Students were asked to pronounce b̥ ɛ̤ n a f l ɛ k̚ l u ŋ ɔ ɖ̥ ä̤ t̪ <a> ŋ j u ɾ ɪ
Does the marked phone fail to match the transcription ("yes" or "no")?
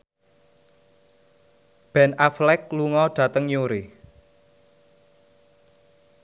yes